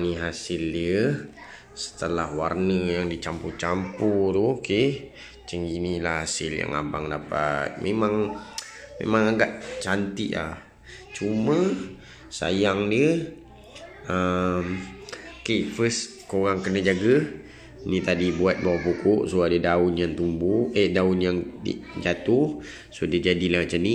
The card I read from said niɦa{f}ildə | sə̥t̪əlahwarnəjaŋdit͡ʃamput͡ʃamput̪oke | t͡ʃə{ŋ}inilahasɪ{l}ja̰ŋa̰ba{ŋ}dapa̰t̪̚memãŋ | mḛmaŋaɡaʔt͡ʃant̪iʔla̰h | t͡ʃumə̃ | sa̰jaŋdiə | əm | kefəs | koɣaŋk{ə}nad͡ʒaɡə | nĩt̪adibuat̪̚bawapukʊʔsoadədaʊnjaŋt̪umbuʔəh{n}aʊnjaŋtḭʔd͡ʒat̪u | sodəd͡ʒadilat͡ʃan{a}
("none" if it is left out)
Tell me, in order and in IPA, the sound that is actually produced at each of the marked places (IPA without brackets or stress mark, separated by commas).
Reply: s, ŋ, l, ŋ, ə, d, i